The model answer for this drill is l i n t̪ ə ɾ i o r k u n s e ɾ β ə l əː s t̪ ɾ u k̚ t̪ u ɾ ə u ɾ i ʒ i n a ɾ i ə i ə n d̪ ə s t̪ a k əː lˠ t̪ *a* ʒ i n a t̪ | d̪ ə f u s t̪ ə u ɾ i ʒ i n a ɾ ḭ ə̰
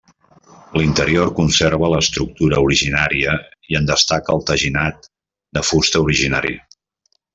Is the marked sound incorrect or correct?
incorrect